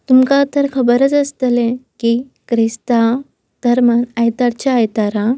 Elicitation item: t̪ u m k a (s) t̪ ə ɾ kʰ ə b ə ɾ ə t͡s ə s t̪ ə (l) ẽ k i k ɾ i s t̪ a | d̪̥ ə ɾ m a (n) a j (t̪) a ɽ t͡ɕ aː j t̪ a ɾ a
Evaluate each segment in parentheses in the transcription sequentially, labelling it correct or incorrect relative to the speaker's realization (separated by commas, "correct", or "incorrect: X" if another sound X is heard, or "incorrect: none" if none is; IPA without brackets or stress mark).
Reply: incorrect: none, correct, correct, correct